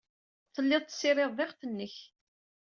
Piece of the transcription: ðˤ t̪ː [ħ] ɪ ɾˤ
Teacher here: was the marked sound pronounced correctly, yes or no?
no